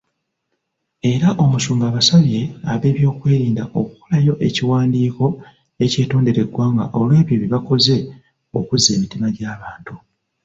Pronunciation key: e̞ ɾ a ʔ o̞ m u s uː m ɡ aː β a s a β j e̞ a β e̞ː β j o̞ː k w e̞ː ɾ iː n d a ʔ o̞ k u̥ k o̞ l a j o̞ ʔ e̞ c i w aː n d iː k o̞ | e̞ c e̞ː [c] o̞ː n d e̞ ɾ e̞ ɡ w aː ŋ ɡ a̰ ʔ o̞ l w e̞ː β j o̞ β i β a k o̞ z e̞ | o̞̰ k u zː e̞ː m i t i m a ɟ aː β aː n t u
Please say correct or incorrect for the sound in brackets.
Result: incorrect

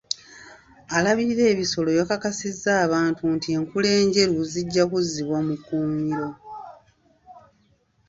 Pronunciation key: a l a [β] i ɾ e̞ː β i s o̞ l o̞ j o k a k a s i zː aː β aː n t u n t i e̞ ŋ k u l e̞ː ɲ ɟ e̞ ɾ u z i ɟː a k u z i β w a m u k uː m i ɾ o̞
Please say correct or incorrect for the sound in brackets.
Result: correct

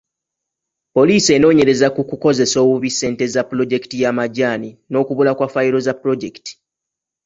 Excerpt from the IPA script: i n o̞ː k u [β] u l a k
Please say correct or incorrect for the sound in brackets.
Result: correct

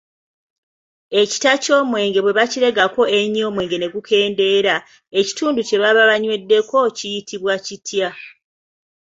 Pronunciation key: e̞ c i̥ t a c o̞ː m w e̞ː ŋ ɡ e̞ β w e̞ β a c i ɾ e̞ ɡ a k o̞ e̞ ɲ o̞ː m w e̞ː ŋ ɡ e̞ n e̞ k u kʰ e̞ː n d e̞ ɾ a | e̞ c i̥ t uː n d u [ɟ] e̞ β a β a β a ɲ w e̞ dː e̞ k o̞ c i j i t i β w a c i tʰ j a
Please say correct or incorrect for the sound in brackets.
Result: incorrect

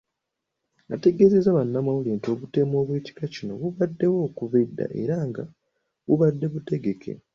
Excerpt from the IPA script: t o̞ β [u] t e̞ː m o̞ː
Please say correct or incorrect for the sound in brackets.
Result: correct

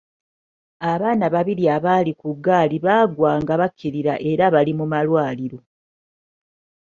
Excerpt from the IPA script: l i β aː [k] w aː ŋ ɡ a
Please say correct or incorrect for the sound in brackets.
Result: incorrect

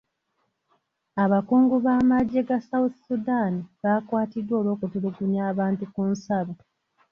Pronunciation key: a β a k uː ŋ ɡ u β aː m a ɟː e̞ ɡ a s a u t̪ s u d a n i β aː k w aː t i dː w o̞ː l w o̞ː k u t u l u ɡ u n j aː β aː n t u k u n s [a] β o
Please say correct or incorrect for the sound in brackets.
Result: correct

